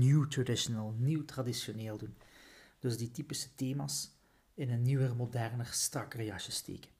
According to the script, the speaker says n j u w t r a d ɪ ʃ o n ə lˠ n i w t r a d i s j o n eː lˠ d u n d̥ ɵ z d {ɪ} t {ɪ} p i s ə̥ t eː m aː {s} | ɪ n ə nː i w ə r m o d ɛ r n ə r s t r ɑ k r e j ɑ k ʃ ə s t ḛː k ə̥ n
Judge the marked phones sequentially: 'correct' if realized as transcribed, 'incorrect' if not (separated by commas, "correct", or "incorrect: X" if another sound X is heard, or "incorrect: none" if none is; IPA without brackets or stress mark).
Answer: incorrect: i, incorrect: i, correct